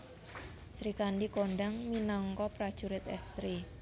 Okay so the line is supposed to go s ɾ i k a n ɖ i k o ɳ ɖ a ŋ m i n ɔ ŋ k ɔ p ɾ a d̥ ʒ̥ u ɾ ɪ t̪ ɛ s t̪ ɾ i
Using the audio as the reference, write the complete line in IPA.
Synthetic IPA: s ɾ i k a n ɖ i k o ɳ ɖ a ŋ m i n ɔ ŋ k ɔ p ɾ a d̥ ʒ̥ u ɾ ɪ t̪ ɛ s t̪ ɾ i